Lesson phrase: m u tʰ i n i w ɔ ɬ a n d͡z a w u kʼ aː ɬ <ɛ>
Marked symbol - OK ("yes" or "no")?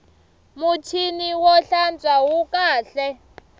yes